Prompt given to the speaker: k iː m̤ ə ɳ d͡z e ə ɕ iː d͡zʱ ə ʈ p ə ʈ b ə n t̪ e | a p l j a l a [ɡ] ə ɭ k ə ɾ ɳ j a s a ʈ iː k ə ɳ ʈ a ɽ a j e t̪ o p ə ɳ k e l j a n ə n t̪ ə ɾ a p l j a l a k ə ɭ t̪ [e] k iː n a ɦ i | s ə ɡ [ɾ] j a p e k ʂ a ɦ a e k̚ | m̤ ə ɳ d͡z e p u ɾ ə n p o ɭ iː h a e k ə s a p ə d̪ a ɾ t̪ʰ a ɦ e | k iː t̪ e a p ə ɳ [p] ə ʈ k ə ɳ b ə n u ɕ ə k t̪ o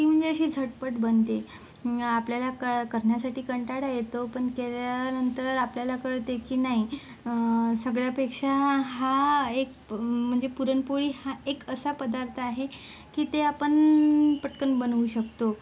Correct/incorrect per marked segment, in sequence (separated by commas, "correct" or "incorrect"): incorrect, correct, incorrect, correct